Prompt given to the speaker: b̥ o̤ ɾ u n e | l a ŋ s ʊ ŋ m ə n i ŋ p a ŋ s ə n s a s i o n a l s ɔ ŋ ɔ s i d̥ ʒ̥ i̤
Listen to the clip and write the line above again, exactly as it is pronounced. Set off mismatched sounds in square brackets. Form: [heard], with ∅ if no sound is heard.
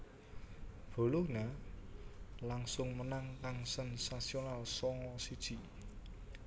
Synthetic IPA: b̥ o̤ [l] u n [a] | l a ŋ s ʊ ŋ m ə n [a] ŋ [k] a ŋ s ə n s a s i o n a l s ɔ ŋ ɔ s i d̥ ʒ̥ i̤